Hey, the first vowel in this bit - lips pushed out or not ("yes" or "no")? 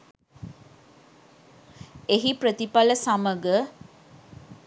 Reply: no